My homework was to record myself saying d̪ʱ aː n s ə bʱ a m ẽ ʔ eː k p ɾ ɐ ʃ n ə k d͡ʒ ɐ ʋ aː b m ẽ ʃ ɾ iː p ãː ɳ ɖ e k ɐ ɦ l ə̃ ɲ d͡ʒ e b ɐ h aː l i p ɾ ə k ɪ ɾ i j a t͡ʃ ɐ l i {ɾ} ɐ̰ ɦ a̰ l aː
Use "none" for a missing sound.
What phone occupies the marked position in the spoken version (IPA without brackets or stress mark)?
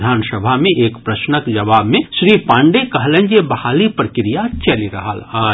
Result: ɾ